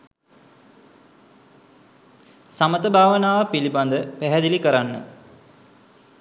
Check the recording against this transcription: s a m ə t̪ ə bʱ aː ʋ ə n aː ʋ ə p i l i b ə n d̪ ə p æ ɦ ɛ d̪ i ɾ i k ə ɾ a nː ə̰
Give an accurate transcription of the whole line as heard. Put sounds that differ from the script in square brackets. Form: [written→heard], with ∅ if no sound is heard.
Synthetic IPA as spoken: s a m ə t̪ ə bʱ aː ʋ ə n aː ʋ ə p i l i b [ə→a] n d̪ ə p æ ɦ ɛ d̪ i [ɾ→l] i k ə ɾ a nː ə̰